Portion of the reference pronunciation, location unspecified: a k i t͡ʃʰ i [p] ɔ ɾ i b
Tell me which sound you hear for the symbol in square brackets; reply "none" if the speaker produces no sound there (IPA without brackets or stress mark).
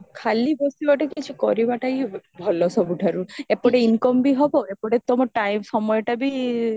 k